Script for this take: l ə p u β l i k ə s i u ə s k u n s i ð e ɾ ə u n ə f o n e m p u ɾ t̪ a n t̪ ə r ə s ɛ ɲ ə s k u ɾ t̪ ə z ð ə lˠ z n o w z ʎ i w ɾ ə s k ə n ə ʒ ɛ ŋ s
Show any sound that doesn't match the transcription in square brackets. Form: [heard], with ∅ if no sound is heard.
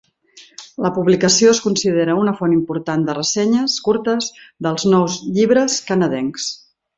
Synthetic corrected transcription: l ə p u β l i k ə s i [o] ə s k u n s i ð e ɾ ə u n ə f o n [i] m p u ɾ t̪ a n [d̪] ə r ə s ɛ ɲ ə s k u ɾ t̪ ə z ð ə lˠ z n [ɔ] w z ʎ i [β] ɾ ə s k ə n ə [ð] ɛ ŋ s